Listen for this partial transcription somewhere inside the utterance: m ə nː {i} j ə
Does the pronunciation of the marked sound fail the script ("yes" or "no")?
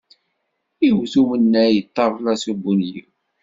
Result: yes